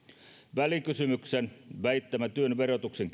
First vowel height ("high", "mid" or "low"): low